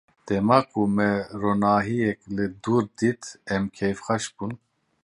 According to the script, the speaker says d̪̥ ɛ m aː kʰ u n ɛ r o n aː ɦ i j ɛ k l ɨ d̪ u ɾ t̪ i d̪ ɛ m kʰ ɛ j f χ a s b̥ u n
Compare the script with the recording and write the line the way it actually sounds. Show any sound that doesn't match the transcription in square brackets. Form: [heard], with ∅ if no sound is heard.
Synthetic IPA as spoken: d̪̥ ɛ m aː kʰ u [m] ɛ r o n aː ɦ i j ɛ k l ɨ d̪ u ɾ [d̪] i [t̪] ɛ m kʰ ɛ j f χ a [ʃ] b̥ u n

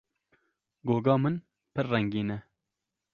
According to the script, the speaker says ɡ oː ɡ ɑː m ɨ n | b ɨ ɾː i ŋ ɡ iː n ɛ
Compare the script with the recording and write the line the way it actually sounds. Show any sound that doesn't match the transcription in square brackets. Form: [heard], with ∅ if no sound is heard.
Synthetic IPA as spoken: ɡ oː ɡ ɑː m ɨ n | [p] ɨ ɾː [ɛ] ŋ ɡ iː n ɛ

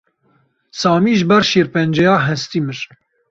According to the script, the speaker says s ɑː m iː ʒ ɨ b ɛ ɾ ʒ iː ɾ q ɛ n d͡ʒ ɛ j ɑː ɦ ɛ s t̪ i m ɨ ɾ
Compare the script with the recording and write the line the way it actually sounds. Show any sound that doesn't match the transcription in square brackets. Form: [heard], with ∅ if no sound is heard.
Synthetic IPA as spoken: s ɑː m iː ʒ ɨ b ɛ ɾ [ʃ] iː ɾ [p] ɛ n d͡ʒ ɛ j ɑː ɦ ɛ s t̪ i m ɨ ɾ

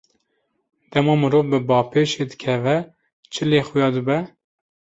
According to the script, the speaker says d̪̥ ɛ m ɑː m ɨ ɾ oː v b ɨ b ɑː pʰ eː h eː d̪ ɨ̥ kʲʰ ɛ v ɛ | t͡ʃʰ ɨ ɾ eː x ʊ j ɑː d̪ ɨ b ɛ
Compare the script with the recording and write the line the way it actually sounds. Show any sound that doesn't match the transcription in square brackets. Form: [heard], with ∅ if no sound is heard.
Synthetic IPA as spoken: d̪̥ ɛ m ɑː m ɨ ɾ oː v b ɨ b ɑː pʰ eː [ʃ] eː d̪ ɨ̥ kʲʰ ɛ v ɛ | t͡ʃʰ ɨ [l] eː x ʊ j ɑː d̪ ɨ b ɛ

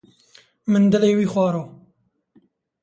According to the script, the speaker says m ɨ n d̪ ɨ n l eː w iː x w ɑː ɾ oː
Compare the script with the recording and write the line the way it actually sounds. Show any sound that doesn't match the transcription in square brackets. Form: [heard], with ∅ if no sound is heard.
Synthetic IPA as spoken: m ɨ n d̪ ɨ [∅] l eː w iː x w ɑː ɾ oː

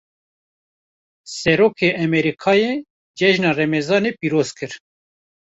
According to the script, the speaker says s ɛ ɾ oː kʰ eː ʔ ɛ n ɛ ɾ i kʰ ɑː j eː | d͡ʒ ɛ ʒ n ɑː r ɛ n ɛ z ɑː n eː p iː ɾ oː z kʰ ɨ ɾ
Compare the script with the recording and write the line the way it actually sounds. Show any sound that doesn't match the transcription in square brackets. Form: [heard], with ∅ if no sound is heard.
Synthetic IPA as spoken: s ɛ ɾ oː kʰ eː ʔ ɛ [m] ɛ ɾ i kʰ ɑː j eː | d͡ʒ ɛ ʒ n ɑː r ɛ [m] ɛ z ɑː n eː p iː ɾ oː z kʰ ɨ ɾ

